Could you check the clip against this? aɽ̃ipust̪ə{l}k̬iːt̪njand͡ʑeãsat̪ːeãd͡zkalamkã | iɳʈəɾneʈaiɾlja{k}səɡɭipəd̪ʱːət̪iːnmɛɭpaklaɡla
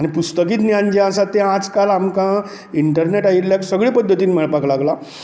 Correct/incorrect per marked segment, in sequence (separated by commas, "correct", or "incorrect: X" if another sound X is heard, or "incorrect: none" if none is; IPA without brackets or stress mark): incorrect: none, correct